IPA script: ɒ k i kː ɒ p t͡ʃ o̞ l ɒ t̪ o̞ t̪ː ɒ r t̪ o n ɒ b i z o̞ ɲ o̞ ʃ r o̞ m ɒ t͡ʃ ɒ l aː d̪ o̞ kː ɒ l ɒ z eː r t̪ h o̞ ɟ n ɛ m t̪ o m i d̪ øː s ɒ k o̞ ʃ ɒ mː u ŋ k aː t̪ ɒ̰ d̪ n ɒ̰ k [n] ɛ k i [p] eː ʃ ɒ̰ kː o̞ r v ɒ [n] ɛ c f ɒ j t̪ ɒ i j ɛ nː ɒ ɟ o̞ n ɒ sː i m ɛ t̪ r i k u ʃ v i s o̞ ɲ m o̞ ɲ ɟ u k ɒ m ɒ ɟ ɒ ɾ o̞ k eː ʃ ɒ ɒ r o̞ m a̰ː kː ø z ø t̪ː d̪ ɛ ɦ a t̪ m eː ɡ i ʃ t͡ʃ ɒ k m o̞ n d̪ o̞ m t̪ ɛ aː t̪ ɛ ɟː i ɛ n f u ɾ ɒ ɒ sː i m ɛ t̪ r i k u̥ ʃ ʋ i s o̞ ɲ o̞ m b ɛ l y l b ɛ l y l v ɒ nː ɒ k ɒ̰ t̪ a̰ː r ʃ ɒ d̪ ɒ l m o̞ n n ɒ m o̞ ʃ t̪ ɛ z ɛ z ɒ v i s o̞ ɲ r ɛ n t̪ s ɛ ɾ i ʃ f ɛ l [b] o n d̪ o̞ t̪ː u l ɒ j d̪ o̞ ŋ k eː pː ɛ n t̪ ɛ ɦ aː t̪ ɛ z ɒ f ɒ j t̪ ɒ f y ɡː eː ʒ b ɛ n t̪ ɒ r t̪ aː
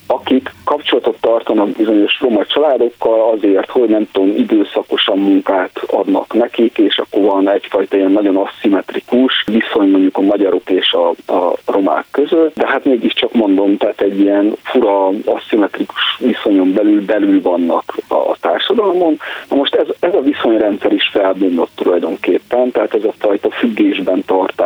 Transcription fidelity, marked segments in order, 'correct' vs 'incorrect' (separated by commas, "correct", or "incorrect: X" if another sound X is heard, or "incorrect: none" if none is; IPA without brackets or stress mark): correct, incorrect: k, correct, correct